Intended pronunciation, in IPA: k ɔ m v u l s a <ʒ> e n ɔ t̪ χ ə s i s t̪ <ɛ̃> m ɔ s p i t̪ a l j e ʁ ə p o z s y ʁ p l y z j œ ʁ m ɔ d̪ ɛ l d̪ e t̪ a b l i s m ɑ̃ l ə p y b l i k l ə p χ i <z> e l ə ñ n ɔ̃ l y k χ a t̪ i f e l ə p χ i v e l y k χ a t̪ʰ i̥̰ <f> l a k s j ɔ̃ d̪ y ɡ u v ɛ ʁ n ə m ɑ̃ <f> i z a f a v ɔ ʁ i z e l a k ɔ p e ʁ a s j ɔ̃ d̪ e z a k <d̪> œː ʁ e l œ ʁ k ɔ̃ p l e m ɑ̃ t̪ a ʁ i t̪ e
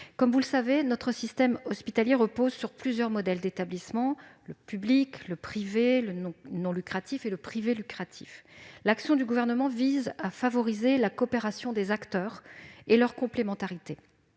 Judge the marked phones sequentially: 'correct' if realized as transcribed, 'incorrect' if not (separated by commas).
incorrect, incorrect, incorrect, correct, incorrect, incorrect